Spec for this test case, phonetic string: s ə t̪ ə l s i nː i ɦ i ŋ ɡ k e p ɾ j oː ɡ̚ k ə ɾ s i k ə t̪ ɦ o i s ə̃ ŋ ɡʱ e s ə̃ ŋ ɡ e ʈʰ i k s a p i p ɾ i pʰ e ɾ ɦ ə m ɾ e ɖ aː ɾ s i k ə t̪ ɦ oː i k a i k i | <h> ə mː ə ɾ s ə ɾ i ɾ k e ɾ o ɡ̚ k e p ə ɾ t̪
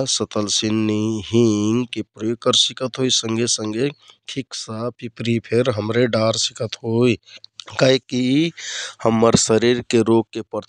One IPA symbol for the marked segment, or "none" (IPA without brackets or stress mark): h